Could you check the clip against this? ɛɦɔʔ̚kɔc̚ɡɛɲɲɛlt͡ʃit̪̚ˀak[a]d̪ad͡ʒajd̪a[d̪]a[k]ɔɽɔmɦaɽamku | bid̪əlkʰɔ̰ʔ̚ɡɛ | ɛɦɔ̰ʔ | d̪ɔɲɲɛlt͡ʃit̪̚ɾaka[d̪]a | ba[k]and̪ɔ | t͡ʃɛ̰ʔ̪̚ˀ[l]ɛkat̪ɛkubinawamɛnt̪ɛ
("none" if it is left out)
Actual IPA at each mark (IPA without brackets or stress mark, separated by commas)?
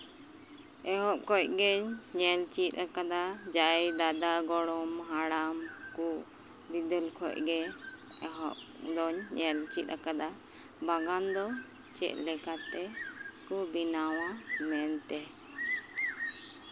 a, d̪, ɡ, d̪, ɡ, l